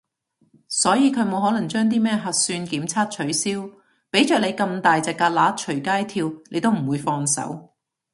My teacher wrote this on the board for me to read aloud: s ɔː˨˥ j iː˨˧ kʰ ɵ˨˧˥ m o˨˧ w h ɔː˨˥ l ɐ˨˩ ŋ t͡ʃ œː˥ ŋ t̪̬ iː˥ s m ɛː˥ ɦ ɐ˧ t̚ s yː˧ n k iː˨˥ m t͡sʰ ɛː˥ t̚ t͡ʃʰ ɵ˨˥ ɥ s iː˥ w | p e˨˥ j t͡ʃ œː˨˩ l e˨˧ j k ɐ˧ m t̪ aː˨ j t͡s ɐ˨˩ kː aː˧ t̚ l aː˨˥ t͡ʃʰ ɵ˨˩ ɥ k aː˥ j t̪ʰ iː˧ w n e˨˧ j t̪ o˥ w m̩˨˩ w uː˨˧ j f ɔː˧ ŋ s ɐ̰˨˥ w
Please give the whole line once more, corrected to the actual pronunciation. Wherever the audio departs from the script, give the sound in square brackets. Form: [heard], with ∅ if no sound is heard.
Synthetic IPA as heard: s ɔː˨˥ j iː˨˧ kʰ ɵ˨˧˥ m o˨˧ w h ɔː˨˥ l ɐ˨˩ ŋ t͡ʃ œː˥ ŋ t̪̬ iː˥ [∅] m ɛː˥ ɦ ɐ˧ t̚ s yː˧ n k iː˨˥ m t͡sʰ [aː˥] t̚ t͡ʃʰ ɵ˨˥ ɥ s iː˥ w | p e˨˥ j t͡ʃ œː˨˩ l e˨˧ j k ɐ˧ m t̪ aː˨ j t͡s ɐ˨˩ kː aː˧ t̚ l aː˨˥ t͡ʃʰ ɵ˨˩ ɥ k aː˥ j t̪ʰ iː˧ w n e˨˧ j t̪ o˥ w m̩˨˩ w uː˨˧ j f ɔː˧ ŋ s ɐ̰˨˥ w